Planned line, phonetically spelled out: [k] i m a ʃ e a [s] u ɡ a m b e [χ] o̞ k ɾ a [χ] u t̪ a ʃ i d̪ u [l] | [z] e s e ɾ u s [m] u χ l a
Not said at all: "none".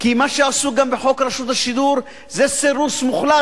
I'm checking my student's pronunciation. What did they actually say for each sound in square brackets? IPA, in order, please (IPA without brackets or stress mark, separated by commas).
k, s, ħ, ʃ, ɾ, z, m